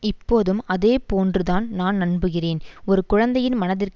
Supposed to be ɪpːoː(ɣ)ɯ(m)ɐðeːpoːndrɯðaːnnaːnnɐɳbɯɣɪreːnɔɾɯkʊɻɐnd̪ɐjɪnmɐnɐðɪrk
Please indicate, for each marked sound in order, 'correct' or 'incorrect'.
incorrect: ð, correct

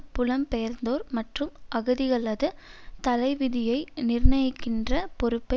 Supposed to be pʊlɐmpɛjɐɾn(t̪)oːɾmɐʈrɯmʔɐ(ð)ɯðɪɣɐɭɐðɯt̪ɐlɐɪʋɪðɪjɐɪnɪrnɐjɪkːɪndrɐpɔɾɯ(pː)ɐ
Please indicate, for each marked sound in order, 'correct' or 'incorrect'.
incorrect: d̪, incorrect: ɣ, correct

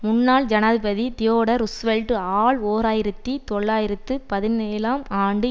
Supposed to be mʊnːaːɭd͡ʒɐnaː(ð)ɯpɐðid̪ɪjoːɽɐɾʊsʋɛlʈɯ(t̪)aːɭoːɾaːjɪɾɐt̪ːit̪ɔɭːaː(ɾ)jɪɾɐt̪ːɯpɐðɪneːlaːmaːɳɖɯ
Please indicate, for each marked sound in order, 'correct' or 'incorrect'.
correct, incorrect: none, incorrect: none

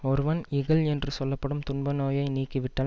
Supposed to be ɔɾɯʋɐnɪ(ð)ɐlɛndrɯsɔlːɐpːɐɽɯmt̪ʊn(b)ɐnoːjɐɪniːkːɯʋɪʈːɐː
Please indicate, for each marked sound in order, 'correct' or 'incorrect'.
incorrect: ɣ, correct

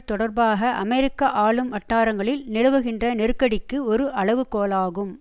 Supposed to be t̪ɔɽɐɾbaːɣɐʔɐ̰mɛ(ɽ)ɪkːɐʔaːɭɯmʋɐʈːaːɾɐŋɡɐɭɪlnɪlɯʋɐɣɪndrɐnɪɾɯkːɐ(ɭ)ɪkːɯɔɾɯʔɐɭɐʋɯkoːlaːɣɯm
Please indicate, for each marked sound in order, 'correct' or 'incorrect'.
incorrect: ɾ, incorrect: ɽ

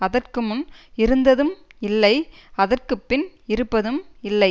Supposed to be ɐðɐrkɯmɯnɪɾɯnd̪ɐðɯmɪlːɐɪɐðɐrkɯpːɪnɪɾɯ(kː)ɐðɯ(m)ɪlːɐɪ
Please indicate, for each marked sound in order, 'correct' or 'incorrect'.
incorrect: pː, correct

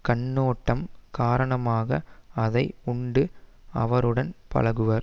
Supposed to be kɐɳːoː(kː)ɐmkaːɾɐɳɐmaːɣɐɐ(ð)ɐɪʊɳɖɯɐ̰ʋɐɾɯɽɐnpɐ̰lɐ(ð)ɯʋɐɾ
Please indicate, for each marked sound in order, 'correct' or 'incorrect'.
incorrect: ʈː, correct, incorrect: ɣ

